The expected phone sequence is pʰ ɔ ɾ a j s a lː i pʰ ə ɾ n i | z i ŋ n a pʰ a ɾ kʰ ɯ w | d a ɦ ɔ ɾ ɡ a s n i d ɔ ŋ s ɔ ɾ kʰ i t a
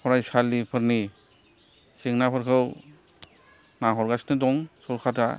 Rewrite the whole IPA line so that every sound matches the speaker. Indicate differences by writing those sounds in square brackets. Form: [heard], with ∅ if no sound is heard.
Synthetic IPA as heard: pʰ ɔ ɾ a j s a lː i pʰ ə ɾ n i | [s] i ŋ n a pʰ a ɾ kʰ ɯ w | [n] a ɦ ɔ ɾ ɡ a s n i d ɔ ŋ s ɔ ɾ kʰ [a] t a